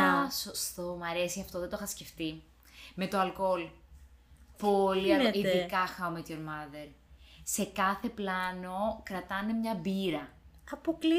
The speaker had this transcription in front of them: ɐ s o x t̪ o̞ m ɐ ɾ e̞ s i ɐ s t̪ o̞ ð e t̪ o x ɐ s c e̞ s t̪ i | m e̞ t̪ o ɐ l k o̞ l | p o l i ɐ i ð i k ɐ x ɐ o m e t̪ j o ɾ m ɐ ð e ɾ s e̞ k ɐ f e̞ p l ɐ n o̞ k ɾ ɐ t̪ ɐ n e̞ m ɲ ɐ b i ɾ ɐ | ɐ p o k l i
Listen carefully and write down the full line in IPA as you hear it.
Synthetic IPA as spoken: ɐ s o s t̪ o̞ m ɐ ɾ e̞ s i ɐ f t̪ o̞ ð e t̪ o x ɐ s c e̞ f t̪ i | m e̞ t̪ o ɐ l k o̞ l | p o l i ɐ i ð i k ɐ x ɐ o m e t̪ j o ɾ m ɐ ð e ɾ s e̞ k ɐ θ e̞ p l ɐ n o̞ k ɾ ɐ t̪ ɐ n e̞ m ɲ ɐ b i ɾ ɐ | ɐ p o k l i